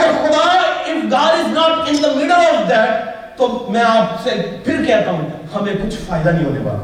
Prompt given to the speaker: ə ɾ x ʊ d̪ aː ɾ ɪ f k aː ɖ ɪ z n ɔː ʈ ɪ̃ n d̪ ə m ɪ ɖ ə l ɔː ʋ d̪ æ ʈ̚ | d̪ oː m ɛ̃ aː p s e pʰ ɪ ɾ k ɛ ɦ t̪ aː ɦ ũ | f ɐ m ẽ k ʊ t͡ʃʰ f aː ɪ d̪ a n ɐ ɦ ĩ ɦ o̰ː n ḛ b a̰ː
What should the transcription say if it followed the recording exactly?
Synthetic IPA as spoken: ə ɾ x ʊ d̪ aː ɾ ɪ f ɡ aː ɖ ɪ z n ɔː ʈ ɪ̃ n d̪ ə m ɪ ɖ ə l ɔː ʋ d̪ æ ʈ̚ | t̪ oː m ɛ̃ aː p s e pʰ ɪ ɾ k ɛ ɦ t̪ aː ɦ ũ | h ɐ m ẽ k ʊ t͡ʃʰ f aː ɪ d̪ a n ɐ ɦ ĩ ɦ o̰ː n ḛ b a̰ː